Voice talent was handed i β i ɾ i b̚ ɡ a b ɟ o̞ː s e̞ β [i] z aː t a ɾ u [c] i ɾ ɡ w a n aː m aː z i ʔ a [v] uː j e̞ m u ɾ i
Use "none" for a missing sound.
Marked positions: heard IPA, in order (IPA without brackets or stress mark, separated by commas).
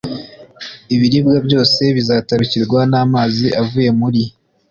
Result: i, c, v